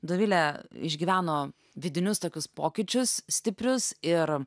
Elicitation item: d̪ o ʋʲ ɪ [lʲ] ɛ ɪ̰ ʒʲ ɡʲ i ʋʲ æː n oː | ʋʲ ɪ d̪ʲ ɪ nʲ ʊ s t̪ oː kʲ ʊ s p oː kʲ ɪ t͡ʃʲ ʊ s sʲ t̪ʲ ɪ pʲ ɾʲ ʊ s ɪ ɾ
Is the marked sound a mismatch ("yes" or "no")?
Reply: no